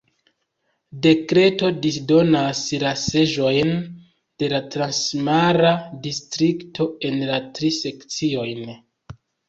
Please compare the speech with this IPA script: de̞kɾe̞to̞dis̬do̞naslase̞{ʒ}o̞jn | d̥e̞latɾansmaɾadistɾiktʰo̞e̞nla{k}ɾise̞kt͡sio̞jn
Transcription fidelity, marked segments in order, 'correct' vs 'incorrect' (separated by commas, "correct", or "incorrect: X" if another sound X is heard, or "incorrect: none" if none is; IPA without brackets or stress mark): correct, incorrect: t